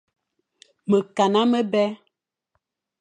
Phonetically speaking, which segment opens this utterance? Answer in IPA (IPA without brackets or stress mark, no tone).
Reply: m